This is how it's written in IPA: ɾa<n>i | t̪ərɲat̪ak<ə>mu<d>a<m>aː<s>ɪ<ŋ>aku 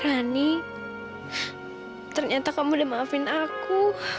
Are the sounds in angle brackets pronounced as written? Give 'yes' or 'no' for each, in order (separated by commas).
yes, no, yes, yes, no, no